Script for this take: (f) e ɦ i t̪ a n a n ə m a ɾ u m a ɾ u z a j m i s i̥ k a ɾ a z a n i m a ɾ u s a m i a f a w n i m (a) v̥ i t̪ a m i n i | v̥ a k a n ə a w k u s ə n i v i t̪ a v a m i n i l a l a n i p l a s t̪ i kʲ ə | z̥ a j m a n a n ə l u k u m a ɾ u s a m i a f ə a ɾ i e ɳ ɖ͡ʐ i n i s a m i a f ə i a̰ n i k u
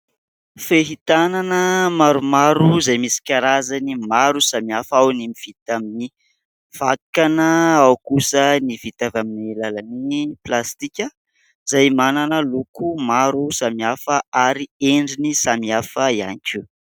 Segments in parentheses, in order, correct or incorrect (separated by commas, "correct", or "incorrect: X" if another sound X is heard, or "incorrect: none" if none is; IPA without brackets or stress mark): correct, incorrect: i